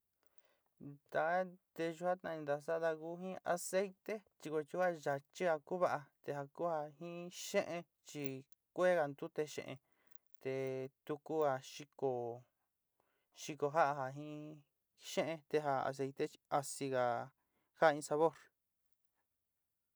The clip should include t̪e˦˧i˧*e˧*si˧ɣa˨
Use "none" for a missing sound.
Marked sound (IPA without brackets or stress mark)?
a˧